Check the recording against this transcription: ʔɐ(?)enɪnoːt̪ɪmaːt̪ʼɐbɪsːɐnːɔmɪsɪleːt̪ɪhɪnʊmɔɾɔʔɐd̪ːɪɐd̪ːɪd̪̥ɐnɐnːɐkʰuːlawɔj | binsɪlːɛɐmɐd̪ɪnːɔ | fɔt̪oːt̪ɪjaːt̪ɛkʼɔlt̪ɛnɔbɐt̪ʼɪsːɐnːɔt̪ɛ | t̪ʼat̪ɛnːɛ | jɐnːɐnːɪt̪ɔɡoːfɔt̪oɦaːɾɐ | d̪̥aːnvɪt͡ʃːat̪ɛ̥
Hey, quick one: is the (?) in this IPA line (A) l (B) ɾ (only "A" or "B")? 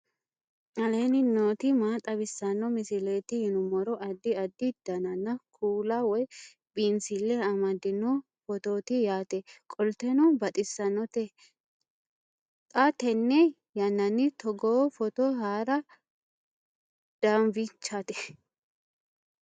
A